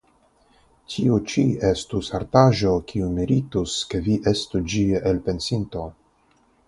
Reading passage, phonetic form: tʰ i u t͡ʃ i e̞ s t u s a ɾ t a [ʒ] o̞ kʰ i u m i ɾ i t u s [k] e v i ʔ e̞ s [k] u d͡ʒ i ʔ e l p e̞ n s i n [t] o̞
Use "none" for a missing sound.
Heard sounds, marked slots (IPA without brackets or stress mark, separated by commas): ʒ, k, t, t